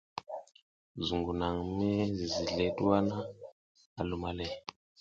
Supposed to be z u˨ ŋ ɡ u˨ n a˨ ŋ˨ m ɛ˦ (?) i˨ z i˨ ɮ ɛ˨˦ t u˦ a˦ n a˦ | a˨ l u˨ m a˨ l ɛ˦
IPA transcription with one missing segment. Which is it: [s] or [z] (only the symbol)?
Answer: z